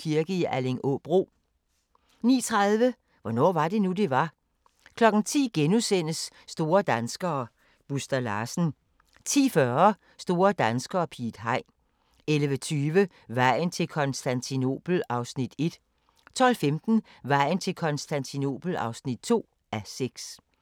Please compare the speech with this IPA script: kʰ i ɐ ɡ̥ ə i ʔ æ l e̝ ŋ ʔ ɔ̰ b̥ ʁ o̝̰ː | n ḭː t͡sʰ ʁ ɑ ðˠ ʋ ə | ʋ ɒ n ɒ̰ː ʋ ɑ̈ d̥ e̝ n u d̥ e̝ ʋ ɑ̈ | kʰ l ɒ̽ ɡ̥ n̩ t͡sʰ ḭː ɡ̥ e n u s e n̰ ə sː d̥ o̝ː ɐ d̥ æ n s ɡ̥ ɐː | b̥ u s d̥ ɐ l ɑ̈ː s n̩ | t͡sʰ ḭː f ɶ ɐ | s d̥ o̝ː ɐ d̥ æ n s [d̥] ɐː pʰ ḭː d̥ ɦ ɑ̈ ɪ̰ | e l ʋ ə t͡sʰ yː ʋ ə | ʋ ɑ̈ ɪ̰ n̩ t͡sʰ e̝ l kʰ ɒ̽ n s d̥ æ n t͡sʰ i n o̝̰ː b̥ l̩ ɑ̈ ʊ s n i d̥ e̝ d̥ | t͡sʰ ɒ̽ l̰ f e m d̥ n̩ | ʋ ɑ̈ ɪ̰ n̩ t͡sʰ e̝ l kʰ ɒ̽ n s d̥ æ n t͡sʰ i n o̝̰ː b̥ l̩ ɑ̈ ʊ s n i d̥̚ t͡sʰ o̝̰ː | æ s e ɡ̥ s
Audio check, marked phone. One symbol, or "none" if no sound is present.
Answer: ɡ̥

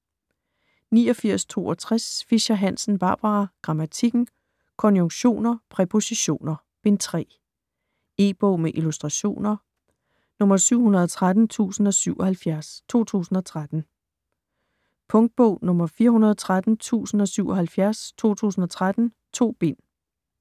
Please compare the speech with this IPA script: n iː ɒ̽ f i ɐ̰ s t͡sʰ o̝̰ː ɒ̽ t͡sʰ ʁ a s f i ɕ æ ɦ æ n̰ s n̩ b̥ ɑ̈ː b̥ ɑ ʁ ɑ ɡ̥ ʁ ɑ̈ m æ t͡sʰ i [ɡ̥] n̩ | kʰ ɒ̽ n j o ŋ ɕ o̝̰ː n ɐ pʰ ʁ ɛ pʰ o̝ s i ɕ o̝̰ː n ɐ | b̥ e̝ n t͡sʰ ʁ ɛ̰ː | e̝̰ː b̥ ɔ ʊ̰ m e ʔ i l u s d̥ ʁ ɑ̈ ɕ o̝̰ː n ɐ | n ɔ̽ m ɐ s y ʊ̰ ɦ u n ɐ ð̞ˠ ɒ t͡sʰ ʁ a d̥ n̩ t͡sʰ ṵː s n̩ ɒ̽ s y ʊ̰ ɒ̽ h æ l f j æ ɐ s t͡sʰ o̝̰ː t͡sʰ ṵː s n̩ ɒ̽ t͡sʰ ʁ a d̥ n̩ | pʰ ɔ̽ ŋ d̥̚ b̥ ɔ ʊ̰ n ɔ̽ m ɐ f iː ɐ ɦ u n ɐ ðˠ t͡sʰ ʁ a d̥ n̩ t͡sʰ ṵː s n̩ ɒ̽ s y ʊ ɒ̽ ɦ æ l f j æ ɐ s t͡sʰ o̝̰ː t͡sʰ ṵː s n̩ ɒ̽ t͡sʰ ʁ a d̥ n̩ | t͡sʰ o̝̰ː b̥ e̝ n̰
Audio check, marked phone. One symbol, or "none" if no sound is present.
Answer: ɡ̥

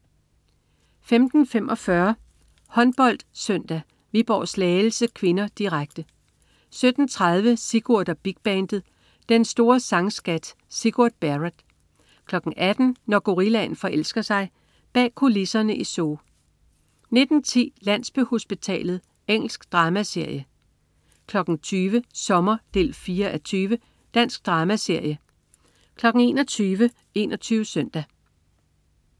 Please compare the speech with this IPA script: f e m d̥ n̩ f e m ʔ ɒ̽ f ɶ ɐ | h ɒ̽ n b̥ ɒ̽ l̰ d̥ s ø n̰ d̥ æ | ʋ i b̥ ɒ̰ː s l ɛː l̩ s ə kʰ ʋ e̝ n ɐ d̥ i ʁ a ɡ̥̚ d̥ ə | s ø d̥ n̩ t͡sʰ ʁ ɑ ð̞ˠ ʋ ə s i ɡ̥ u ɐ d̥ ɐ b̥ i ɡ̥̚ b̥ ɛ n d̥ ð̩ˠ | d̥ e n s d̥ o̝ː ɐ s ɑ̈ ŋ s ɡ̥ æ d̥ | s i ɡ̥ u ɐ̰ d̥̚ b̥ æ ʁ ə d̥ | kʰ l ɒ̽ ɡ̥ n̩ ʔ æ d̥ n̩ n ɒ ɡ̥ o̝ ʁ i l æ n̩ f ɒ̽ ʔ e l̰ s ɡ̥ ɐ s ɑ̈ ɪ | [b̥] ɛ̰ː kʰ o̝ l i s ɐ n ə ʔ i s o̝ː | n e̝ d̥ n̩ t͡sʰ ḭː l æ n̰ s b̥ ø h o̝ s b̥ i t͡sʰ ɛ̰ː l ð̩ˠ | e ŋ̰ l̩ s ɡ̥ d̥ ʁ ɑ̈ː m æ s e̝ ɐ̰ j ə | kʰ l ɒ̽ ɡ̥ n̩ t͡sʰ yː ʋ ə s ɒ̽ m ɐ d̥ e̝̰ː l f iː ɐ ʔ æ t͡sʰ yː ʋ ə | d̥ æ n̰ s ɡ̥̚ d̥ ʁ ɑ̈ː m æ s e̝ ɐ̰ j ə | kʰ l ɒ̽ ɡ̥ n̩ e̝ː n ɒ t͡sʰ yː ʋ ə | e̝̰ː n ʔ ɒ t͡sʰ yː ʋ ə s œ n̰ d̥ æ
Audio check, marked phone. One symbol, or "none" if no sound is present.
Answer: b̥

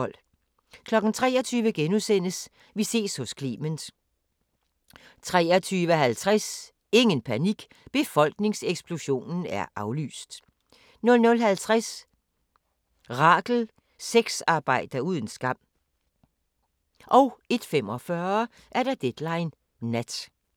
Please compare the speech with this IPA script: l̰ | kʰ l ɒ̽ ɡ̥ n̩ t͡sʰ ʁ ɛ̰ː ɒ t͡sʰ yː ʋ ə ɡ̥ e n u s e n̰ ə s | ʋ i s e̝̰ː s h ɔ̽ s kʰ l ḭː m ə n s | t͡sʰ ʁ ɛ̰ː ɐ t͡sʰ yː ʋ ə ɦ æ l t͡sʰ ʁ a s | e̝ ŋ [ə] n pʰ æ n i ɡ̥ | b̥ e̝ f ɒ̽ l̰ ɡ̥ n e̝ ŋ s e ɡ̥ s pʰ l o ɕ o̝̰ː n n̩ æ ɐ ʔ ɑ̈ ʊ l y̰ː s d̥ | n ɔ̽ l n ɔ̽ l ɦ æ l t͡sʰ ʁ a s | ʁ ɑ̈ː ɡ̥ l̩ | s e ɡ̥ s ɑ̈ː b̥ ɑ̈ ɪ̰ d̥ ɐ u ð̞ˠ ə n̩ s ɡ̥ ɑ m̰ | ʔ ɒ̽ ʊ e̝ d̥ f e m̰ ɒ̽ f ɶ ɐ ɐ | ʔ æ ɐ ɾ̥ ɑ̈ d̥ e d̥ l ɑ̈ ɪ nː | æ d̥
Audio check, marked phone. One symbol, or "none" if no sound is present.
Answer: ə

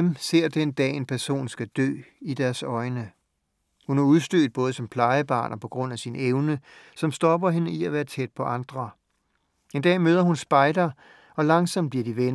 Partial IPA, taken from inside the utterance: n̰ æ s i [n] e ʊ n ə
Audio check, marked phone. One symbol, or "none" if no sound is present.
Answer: n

